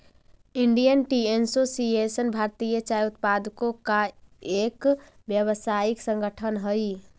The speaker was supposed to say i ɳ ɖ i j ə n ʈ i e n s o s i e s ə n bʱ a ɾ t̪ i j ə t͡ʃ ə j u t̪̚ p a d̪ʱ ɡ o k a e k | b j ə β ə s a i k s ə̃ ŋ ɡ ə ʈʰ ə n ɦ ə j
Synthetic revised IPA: i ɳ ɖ i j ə n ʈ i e n s o s i e s ə n bʱ a ɾ t̪ i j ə t͡ʃ a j u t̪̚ p a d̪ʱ k o k a e k | b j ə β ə s a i k s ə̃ ŋ ɡ ə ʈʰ ə n ɦ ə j